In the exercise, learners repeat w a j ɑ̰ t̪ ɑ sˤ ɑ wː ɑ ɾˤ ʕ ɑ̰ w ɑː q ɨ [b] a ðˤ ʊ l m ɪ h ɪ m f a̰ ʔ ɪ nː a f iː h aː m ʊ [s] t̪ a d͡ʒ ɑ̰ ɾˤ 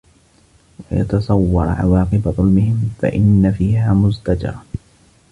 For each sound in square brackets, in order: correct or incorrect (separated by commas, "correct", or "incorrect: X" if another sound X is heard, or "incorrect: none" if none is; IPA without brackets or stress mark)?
correct, incorrect: z